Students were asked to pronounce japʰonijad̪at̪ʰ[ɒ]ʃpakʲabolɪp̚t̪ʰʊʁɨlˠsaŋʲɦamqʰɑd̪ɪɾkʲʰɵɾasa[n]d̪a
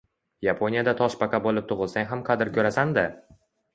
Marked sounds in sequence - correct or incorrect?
correct, correct

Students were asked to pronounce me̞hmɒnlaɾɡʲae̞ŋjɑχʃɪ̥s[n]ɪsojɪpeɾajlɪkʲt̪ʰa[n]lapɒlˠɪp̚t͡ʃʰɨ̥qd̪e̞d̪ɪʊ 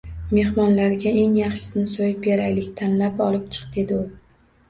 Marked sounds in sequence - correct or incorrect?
correct, correct

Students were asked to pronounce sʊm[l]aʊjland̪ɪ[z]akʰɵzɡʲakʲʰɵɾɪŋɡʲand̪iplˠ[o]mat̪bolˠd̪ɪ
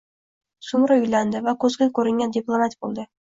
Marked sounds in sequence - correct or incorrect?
incorrect: ɾ, incorrect: v, correct

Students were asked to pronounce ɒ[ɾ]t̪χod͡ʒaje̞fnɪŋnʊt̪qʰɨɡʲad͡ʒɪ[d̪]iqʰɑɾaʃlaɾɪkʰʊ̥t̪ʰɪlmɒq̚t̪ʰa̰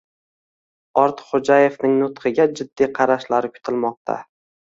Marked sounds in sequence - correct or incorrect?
correct, incorrect: d̪ː

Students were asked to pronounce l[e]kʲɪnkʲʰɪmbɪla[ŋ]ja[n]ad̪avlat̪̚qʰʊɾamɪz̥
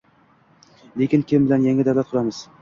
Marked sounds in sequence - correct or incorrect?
correct, incorrect: n, incorrect: ŋ

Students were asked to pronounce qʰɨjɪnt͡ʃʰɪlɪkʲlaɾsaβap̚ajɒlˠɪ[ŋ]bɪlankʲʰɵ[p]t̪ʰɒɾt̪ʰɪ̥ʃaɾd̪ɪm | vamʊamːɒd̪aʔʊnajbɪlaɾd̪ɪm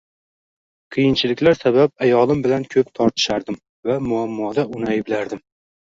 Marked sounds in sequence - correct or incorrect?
incorrect: m, correct

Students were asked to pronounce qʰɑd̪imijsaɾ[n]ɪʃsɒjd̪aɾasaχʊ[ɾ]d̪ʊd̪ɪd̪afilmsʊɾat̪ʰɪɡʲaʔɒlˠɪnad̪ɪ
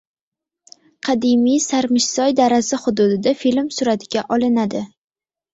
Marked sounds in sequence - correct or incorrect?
incorrect: m, incorrect: none

